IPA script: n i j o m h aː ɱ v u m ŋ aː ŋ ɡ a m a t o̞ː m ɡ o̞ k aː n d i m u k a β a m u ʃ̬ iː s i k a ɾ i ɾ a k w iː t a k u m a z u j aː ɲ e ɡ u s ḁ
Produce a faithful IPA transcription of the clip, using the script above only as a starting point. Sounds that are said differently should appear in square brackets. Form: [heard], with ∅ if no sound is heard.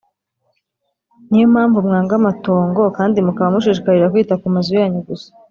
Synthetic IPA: n i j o m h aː ɱ v u m ŋ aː ŋ ɡ a m a t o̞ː [ŋ] ɡ o̞ k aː n d i m u k a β a m u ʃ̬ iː [ʃ] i k a ɾ i ɾ a k w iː t a k u m a z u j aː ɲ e ɡ u s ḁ